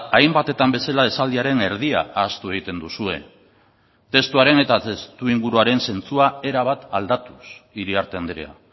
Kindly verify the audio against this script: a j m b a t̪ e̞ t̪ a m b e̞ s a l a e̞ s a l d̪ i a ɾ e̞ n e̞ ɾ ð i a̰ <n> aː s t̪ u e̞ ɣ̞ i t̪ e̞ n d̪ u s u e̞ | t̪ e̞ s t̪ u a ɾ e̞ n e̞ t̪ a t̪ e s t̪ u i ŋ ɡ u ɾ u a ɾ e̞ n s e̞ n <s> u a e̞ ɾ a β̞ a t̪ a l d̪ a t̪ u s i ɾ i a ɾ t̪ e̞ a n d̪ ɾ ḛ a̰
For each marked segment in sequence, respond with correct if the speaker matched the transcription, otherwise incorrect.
incorrect, incorrect

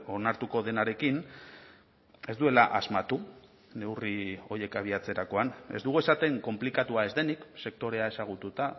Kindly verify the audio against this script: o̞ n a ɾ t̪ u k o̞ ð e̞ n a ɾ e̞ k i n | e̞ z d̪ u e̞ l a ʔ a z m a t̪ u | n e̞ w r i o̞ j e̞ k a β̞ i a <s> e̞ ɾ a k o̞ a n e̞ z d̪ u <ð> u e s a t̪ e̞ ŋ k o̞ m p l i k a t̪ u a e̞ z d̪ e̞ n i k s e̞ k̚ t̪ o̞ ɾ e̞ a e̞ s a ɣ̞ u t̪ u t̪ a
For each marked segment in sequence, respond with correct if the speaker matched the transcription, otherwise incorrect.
incorrect, incorrect

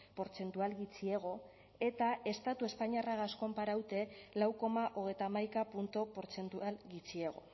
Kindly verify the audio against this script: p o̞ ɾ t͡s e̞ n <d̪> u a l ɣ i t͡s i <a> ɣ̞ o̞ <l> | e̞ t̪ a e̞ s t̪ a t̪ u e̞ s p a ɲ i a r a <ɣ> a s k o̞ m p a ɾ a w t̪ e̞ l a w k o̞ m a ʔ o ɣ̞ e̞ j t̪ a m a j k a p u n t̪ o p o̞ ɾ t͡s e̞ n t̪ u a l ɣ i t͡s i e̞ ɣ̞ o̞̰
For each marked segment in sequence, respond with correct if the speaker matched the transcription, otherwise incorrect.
incorrect, incorrect, incorrect, correct

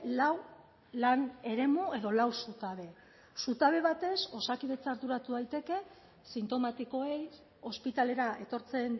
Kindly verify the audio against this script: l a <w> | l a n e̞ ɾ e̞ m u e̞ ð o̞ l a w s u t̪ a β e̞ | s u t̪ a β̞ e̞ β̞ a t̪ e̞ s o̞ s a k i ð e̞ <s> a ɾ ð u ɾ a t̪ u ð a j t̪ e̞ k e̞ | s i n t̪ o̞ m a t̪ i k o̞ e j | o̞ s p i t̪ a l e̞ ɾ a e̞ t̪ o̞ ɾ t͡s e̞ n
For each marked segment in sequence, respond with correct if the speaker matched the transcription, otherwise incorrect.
correct, incorrect

